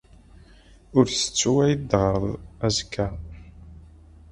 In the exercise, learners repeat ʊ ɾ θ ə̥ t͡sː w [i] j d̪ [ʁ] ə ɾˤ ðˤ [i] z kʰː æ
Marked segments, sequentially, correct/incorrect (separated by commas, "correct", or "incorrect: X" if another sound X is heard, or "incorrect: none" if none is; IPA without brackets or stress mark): incorrect: æ, correct, incorrect: æ